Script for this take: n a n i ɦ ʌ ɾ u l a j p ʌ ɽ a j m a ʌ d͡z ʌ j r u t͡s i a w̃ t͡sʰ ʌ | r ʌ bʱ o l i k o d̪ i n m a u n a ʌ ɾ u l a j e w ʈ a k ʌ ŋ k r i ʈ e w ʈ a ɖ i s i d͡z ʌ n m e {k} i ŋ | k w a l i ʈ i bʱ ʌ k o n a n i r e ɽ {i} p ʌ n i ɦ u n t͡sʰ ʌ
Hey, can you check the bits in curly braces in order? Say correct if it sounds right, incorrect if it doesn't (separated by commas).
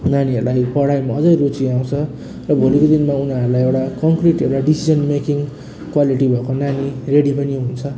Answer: correct, correct